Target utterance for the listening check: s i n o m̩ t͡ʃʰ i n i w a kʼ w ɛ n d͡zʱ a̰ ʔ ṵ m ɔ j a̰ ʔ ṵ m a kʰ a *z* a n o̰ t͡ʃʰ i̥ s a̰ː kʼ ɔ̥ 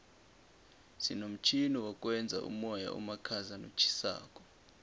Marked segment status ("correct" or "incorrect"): correct